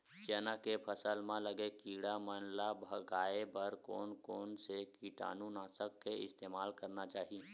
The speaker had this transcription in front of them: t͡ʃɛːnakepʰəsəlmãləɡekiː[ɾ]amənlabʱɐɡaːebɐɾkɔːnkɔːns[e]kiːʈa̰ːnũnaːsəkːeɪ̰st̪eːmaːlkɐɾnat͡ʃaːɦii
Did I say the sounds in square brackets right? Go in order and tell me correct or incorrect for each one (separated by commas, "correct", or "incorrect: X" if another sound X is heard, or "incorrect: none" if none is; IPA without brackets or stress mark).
incorrect: ɽ, correct